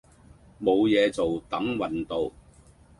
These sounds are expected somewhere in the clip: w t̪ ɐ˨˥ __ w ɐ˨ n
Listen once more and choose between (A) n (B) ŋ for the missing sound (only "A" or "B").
B